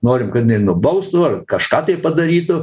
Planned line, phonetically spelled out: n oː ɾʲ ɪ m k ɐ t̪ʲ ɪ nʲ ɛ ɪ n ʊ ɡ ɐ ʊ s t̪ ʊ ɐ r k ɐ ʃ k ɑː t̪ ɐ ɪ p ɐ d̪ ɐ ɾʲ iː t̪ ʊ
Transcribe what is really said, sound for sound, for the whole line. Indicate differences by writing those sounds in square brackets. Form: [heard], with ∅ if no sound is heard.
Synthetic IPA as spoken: n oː ɾʲ ɪ m k ɐ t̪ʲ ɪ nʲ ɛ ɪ n ʊ [b] ɐ ʊ s t̪ ʊ ɐ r k ɐ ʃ k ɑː t̪ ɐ ɪ p ɐ d̪ ɐ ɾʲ iː t̪ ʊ